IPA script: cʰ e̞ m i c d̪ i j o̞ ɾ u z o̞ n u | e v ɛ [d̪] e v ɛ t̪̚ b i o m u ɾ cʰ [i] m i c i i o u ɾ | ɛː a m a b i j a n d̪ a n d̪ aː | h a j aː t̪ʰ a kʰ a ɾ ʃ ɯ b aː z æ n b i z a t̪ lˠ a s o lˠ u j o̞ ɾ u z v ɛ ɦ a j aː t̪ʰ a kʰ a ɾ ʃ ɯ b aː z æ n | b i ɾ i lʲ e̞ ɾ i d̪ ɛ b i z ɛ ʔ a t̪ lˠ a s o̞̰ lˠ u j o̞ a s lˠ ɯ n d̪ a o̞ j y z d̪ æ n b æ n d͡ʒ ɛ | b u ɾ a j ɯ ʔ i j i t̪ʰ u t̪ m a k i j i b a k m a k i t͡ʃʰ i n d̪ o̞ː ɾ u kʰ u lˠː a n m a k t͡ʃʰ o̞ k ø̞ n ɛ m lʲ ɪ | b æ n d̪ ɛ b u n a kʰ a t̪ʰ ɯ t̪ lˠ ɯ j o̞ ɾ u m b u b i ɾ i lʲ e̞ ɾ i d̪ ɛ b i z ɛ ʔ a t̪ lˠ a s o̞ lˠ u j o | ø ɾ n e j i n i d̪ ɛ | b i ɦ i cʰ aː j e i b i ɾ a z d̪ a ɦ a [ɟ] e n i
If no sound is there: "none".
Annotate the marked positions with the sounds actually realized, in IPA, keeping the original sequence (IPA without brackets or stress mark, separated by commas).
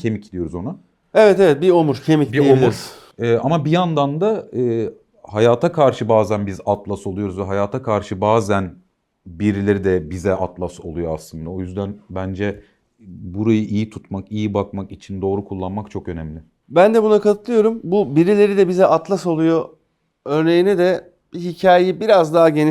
t̪, e, ɟ